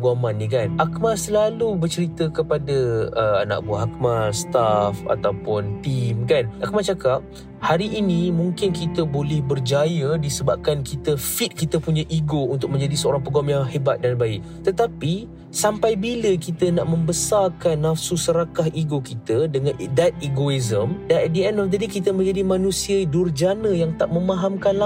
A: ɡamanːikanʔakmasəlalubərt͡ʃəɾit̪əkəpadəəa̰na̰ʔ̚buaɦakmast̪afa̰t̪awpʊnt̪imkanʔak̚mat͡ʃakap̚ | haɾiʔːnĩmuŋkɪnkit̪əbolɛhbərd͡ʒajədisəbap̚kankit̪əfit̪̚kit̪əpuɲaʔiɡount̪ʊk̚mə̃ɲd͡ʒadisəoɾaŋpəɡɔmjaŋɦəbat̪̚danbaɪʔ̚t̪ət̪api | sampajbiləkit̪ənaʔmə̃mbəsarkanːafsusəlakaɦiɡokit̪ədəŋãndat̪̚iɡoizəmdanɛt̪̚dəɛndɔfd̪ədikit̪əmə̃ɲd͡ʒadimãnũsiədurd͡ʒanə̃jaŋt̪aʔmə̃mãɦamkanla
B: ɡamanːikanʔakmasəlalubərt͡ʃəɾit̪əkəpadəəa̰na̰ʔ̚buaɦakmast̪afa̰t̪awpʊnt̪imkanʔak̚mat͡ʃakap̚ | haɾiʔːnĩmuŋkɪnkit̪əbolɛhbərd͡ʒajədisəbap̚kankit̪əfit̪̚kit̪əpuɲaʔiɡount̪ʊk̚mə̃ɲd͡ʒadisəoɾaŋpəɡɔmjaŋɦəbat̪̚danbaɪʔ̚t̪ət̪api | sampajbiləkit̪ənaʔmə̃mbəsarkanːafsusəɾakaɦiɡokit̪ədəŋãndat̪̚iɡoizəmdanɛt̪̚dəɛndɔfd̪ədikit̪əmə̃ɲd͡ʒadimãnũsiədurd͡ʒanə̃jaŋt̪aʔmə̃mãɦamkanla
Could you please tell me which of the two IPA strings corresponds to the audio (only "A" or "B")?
B